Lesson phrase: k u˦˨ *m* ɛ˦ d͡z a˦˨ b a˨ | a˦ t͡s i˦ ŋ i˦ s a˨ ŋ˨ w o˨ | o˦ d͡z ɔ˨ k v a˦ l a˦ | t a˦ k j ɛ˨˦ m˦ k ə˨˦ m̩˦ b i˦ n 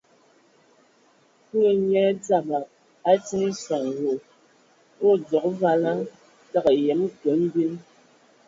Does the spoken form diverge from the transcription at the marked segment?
yes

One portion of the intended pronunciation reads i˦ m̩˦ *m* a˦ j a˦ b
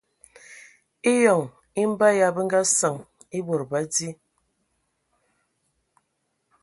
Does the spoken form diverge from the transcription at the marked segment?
yes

